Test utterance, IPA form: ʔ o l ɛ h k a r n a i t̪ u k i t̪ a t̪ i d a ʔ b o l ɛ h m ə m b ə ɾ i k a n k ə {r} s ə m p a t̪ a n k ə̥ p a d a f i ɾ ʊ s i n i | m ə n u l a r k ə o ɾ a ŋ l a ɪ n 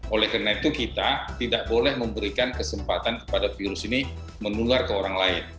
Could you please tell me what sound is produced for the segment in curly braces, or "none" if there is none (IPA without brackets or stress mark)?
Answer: none